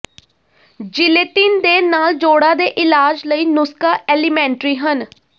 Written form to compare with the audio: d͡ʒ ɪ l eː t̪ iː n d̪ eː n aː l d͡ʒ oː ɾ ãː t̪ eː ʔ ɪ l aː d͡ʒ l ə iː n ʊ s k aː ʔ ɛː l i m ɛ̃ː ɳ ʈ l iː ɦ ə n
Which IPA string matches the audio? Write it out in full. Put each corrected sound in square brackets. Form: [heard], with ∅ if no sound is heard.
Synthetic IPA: d͡ʒ ɪ l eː t̪ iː n d̪ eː n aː l d͡ʒ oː [ɽ] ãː [d̪] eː ʔ ɪ l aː d͡ʒ l ə iː n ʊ s k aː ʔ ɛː l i m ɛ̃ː ɳ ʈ [ɾ] iː ɦ ə n